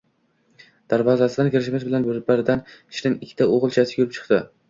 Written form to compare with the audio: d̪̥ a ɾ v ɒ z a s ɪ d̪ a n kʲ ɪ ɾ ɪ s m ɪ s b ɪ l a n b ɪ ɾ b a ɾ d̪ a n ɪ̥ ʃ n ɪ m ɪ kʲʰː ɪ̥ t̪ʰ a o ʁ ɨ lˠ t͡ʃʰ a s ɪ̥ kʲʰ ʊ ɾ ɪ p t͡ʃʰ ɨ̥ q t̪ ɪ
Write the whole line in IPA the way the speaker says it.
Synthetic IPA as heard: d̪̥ a ɾ v ɒ z a s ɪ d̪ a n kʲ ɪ ɾ ɪ ʃ m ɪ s b ɪ l a n b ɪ ɾ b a ɾ d̪ a n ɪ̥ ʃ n ɪ ŋ ɪ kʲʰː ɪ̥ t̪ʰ a o ʁ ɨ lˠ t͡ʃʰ a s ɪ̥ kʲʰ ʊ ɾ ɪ p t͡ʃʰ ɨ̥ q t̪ ɪ